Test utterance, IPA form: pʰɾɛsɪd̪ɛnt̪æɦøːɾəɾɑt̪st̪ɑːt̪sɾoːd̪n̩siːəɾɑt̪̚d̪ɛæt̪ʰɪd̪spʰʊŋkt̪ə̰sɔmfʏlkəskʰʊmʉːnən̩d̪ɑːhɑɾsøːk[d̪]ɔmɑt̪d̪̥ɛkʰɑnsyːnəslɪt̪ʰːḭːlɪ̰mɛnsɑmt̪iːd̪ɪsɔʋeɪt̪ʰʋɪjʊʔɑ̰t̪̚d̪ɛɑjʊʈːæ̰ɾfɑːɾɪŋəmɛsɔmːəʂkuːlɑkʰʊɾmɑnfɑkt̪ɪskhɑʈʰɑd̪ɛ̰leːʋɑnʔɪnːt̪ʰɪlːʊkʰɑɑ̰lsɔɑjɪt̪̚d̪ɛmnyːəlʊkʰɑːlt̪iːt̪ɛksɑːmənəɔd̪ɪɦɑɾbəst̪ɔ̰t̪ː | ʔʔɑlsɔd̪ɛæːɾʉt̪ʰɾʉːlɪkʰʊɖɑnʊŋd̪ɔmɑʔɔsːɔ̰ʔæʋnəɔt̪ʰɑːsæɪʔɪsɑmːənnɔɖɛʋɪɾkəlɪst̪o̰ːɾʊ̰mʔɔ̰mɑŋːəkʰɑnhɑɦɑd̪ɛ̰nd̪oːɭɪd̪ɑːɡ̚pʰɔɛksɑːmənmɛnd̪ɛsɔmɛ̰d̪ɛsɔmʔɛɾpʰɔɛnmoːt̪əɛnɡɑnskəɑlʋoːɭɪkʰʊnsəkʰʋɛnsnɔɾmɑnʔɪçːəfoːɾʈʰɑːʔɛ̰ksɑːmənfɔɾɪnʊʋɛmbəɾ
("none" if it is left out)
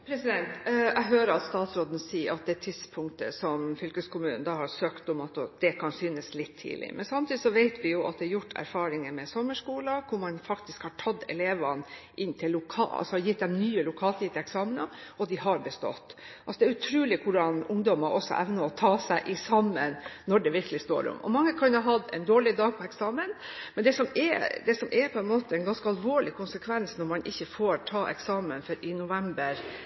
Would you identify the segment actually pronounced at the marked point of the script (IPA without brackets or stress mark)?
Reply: t̪